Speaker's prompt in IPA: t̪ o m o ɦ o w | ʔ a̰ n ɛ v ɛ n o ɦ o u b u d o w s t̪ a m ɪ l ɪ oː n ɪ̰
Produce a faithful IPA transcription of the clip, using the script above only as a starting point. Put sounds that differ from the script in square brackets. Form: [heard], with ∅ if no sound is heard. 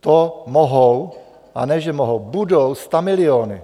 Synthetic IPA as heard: t̪ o m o ɦ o w | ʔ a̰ n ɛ [ʒ] ɛ [m] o ɦ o [w] b u d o w s t̪ a m ɪ l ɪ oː n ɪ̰